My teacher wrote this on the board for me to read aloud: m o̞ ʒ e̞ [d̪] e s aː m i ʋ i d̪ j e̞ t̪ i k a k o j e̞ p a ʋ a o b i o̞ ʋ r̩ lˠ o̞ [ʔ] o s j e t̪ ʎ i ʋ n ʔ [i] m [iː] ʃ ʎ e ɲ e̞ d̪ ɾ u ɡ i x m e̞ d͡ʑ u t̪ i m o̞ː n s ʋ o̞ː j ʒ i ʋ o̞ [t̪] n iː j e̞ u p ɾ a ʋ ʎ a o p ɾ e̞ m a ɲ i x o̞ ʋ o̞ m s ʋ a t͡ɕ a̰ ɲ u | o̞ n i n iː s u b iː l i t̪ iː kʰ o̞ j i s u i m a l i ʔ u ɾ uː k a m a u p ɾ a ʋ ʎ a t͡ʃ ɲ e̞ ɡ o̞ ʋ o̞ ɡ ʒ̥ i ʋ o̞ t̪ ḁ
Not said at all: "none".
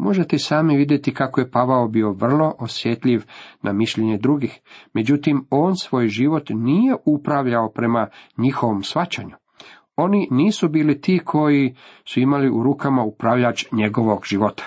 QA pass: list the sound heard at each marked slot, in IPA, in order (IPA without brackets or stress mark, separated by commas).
t̪, ʔ, a, i, t̪